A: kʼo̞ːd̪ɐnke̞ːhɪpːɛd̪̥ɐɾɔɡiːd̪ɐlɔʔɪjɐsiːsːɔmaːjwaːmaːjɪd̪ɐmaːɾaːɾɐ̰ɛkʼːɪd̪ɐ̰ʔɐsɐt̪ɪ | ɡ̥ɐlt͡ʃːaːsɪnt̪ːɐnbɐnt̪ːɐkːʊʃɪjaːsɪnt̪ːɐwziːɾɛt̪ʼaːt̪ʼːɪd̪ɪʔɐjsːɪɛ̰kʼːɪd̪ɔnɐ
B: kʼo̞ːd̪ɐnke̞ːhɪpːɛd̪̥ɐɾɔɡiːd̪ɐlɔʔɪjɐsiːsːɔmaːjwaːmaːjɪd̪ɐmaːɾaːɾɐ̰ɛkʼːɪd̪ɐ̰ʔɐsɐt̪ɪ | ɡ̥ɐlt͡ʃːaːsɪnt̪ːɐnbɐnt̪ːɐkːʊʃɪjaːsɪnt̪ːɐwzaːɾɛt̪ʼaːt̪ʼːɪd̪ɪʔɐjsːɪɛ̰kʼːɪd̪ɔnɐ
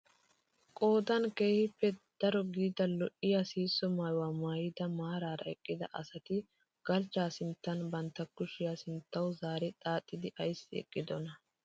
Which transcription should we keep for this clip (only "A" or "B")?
B